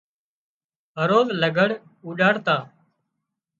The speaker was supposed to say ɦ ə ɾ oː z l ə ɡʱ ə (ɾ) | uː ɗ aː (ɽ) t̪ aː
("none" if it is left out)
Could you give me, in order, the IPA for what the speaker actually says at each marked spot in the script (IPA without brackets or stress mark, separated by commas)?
ɽ, ɽ